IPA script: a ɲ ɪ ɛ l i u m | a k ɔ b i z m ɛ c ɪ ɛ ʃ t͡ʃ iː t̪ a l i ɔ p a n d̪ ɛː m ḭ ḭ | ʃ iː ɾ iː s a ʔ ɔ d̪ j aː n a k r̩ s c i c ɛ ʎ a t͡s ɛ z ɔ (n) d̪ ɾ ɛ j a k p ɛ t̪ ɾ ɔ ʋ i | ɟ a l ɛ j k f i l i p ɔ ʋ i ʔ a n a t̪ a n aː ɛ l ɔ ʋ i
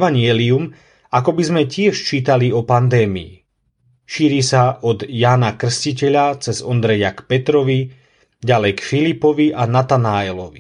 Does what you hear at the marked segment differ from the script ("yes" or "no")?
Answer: no